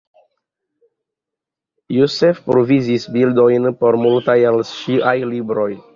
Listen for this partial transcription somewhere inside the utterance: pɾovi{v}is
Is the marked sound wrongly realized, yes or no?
yes